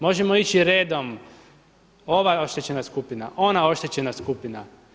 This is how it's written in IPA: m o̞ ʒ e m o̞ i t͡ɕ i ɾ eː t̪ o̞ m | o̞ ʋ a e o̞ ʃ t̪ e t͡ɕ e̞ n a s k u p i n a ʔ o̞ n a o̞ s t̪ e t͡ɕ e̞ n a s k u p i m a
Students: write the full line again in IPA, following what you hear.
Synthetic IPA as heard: m o̞ ʒ e m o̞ i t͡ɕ i ɾ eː d̪ o̞ m | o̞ ʋ a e o̞ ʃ t̪ e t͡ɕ e̞ n a s k u p i n a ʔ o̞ n a o̞ ʃ t̪ e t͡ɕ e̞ n a s k u p i n a